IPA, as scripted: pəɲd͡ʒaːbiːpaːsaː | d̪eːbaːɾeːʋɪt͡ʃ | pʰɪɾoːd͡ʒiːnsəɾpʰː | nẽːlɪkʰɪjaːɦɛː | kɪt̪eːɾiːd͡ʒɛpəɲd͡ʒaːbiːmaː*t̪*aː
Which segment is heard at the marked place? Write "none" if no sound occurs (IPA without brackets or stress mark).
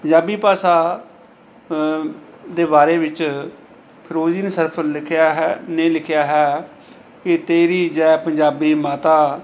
t̪